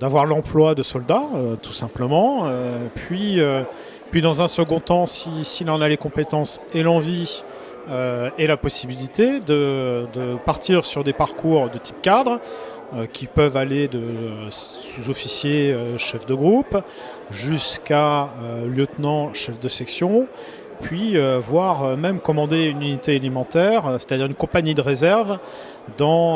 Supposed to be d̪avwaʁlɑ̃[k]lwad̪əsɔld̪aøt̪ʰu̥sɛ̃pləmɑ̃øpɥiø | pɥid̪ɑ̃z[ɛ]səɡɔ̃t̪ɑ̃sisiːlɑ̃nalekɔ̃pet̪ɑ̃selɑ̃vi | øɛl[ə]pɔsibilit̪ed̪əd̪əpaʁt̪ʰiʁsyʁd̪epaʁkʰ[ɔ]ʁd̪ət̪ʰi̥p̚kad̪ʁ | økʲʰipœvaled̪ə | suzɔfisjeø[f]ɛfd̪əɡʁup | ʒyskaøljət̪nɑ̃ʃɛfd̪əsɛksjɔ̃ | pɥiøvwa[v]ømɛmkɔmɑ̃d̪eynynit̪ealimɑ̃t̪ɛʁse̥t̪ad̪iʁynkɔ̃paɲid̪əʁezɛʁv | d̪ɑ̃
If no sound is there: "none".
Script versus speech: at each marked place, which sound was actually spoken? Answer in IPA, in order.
p, ɛ̃, a, u, ʃ, ʁ

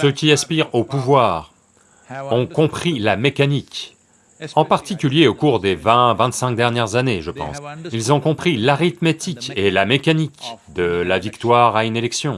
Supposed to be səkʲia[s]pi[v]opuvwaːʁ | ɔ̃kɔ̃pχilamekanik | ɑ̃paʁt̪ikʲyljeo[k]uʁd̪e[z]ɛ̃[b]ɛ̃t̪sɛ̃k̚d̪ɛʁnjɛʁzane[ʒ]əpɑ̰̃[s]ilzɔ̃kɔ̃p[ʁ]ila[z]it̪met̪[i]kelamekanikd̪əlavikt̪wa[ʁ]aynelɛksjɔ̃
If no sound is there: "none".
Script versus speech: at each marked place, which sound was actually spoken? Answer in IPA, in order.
s, ʁ, k, v, v, ʒ, s, χ, ʁ, i, ʁ

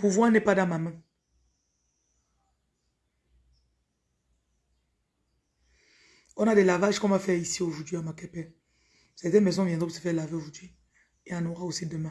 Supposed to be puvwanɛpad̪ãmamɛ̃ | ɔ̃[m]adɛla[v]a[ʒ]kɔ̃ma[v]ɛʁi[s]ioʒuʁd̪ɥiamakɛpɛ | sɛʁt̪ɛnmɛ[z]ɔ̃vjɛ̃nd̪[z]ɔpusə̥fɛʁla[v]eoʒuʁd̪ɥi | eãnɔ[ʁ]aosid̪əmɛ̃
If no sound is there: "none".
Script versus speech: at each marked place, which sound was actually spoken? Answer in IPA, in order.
n, v, ʒ, f, s, z, ʁ, v, ʁ

